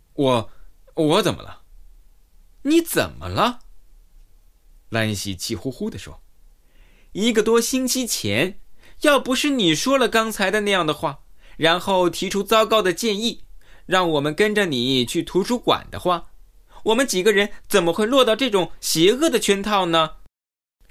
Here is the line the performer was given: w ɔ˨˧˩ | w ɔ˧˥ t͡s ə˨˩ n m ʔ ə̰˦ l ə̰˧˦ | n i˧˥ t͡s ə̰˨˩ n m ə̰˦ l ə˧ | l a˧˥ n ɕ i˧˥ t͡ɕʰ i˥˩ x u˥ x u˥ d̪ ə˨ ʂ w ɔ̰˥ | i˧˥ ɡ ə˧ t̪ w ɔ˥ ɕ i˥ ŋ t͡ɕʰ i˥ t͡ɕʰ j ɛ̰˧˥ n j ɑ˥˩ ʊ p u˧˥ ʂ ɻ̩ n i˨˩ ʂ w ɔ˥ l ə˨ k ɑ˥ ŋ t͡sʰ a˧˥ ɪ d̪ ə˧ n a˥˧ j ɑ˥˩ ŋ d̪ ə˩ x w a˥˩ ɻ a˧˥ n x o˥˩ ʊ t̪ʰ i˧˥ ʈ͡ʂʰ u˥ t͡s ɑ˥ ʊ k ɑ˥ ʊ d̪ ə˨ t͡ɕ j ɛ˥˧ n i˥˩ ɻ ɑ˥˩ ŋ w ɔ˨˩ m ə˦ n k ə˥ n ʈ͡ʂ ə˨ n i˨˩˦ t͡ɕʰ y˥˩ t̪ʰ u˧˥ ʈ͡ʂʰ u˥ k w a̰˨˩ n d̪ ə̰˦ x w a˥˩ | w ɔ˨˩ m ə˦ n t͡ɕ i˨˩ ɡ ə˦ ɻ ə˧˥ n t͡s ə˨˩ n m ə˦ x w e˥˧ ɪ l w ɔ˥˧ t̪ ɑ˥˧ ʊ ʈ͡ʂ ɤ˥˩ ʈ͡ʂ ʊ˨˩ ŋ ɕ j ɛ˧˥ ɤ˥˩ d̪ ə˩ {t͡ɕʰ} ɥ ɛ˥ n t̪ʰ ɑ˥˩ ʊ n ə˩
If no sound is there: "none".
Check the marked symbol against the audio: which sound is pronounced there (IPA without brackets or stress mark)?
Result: t͡ɕʰ